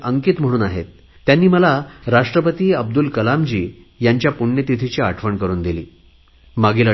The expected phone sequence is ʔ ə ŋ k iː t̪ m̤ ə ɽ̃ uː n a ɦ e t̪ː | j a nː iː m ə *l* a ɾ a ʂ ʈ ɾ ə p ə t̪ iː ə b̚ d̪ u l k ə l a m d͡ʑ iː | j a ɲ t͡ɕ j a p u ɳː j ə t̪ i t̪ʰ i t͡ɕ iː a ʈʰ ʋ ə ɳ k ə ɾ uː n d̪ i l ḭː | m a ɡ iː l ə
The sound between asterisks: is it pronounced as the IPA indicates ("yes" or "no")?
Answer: yes